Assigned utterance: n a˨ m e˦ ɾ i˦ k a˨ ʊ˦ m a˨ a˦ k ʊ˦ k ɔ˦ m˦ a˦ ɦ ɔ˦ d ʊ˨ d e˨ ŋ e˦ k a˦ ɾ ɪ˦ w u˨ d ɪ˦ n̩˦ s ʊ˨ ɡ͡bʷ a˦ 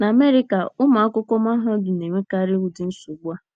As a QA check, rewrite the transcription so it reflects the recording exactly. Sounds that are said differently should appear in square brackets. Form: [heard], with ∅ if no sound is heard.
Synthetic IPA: n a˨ m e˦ ɾ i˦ k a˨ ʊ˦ m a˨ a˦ k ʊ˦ k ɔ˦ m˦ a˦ ɦ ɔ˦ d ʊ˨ [n] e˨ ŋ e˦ k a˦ ɾ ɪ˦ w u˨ d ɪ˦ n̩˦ s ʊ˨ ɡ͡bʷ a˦